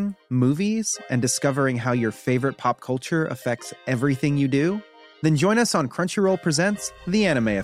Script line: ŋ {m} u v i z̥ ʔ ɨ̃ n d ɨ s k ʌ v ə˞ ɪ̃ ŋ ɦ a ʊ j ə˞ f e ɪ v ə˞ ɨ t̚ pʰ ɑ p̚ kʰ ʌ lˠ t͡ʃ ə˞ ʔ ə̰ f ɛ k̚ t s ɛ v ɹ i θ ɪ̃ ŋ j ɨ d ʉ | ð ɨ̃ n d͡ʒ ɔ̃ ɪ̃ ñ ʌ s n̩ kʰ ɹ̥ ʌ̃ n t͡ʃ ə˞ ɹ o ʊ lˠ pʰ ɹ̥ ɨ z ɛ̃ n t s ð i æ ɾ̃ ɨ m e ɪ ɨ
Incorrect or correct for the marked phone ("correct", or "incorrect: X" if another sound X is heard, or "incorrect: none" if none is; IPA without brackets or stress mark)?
correct